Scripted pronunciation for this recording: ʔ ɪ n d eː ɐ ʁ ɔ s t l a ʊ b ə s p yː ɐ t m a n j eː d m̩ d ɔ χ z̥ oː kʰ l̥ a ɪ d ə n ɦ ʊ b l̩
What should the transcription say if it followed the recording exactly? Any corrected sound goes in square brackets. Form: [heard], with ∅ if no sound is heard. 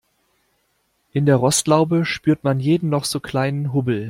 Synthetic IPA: ʔ ɪ n d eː ɐ ʁ ɔ s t l a ʊ b ə [ʃ] p yː ɐ t m a n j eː d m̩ [n] ɔ χ z̥ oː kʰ l̥ a ɪ [n] ə n ɦ ʊ b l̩